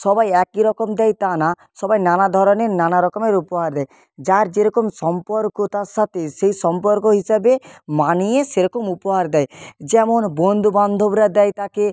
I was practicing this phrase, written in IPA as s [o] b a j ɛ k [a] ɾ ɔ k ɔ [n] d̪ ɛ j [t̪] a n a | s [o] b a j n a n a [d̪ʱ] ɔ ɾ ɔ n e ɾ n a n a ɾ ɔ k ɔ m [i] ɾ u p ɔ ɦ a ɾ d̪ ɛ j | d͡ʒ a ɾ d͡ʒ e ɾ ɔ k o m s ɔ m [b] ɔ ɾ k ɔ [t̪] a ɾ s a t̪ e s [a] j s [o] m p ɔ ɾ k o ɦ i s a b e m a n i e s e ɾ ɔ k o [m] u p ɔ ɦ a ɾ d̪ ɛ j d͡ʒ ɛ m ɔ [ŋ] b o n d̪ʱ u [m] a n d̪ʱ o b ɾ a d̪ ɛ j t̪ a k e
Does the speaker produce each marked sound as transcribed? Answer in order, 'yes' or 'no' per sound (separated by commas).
no, no, no, yes, no, yes, no, no, yes, no, no, yes, no, no